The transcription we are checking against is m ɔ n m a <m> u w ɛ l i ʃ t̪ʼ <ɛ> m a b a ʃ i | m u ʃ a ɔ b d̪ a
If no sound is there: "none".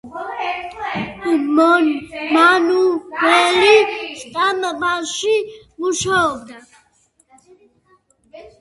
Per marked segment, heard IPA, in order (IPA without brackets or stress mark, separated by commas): n, a